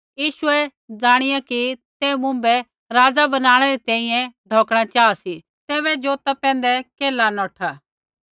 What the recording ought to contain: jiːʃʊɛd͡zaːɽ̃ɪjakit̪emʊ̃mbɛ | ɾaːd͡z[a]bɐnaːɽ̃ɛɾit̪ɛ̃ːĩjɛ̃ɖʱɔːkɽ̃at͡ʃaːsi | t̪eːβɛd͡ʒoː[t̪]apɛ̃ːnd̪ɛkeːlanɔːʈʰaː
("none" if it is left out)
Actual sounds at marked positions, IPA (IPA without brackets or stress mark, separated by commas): a, t̪